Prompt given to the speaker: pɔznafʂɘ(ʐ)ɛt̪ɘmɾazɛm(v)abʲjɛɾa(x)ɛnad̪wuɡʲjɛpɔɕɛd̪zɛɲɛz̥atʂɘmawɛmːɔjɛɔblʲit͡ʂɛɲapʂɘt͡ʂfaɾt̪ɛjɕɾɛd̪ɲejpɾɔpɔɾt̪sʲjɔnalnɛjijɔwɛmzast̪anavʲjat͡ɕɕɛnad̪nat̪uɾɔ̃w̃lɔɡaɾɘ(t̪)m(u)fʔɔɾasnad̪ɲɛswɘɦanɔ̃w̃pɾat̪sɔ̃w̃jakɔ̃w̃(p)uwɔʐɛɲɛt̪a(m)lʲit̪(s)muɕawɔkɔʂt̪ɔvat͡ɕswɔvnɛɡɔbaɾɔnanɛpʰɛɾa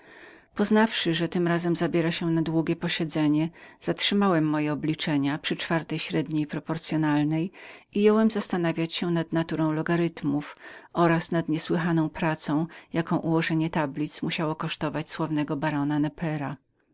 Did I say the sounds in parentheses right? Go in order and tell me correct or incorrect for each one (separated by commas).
correct, incorrect, incorrect, correct, correct, incorrect, incorrect, correct